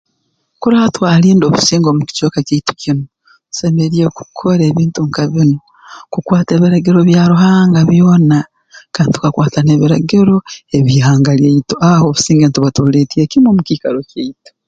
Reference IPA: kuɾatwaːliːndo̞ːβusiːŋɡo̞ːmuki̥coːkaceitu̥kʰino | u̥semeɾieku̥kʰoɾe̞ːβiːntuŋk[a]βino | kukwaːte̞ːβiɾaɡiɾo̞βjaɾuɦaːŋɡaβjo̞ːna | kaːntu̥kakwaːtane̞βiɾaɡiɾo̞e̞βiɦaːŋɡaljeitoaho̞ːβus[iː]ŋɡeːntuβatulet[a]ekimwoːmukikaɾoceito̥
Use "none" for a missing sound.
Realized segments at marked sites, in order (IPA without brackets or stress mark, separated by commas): a, iː, i